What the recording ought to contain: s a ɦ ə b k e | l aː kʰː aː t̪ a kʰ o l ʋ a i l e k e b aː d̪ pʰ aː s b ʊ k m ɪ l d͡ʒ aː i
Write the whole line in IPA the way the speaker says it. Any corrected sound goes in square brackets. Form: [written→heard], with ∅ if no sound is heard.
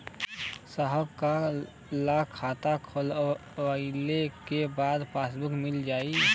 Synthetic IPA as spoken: s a ɦ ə b k [e→a] | l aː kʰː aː t̪ a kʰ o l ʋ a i l e k e b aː d̪ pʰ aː s b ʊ k m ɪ l d͡ʒ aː i